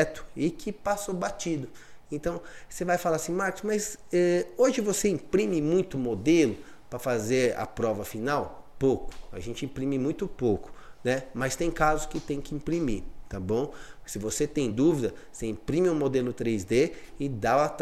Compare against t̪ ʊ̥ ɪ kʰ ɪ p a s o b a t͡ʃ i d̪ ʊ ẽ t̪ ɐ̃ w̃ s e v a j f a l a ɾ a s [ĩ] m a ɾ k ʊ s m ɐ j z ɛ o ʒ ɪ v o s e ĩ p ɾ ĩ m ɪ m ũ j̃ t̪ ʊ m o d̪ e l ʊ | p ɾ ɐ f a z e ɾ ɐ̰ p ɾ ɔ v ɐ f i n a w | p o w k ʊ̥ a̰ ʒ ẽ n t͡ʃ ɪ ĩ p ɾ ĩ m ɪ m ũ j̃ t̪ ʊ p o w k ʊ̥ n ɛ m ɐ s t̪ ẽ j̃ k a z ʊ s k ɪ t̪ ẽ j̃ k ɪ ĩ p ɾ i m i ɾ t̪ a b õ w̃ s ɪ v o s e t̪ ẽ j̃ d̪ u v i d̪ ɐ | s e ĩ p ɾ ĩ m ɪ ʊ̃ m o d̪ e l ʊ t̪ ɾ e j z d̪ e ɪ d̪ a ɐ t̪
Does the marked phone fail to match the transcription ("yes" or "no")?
no